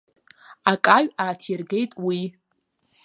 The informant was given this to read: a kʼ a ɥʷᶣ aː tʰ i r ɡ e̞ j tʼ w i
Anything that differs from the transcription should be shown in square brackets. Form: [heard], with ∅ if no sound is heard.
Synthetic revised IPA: a kʼ a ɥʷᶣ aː tʰ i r ɡ e̞ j tʼ w i